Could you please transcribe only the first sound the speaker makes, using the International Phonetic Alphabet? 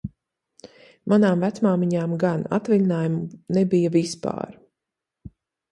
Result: m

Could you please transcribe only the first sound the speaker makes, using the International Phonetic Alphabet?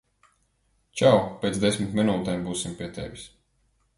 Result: t͡ʃ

